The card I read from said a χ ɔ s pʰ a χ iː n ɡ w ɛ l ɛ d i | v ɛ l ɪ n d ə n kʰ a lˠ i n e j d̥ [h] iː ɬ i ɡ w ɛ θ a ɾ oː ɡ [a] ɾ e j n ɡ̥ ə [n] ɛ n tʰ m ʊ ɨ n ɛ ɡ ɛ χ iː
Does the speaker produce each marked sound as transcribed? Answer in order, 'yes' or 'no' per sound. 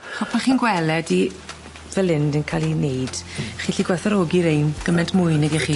no, no, no

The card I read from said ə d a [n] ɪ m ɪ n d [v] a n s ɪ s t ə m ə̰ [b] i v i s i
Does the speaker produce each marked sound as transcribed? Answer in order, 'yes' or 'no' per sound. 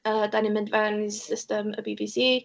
yes, yes, yes

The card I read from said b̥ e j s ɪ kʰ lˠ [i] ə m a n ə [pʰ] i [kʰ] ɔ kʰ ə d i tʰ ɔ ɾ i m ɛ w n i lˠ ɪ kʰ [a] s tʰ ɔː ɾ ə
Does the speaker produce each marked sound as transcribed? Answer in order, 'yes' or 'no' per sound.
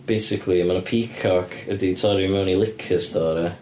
yes, yes, yes, no

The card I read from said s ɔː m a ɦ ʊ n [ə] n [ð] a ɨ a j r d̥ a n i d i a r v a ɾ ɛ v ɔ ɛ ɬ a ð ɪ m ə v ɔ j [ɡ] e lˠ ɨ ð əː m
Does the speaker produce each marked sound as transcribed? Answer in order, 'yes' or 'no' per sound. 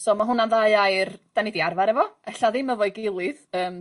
no, yes, yes

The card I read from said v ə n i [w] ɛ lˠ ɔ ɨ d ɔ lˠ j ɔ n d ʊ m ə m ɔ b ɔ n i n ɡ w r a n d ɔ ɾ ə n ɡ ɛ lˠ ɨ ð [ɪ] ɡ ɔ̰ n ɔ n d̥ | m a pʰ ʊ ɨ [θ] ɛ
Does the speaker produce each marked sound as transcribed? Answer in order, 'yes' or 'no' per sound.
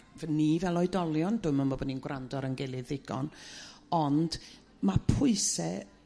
no, yes, no

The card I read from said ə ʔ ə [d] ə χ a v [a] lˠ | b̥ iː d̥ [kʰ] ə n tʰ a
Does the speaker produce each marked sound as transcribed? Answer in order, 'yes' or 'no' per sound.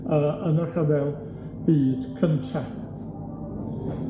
no, no, yes

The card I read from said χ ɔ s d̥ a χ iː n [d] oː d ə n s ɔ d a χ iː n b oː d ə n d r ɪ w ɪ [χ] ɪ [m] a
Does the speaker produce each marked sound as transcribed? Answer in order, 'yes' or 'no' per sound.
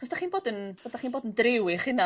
no, yes, no

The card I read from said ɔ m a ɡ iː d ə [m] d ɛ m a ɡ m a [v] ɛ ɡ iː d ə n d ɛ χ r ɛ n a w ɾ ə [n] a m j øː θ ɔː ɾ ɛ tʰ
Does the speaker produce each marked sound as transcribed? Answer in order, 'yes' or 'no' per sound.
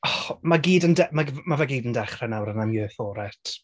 no, yes, yes

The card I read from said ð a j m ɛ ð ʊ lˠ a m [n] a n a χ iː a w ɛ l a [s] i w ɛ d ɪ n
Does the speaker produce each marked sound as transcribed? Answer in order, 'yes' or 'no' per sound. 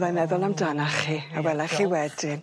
no, no

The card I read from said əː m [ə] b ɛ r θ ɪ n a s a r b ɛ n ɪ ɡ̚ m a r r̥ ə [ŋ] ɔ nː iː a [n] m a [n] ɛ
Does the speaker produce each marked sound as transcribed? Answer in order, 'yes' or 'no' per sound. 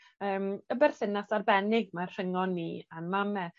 yes, yes, yes, no

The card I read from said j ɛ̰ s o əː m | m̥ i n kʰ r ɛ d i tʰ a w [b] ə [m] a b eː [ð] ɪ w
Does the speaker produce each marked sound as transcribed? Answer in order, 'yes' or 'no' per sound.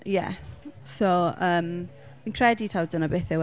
no, no, no

